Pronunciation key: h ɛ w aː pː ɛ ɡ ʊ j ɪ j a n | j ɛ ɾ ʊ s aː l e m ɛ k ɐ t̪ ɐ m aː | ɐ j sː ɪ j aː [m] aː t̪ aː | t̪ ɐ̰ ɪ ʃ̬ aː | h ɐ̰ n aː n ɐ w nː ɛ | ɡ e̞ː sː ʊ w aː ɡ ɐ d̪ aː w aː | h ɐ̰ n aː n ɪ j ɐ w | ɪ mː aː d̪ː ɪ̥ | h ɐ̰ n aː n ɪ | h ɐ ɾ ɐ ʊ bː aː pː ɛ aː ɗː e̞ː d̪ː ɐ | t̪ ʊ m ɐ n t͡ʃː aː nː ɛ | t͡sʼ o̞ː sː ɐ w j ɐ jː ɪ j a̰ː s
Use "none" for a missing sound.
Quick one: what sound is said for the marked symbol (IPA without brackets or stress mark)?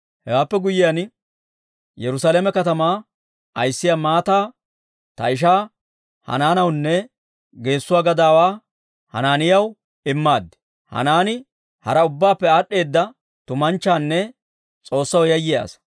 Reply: m